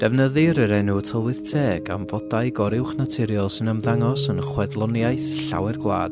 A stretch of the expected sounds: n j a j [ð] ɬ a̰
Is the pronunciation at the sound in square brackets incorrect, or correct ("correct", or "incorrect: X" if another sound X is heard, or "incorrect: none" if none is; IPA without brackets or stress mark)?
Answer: incorrect: θ